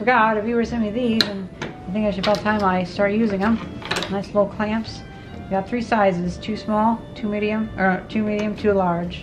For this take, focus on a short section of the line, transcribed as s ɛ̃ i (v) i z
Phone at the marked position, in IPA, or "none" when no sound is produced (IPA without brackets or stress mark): ð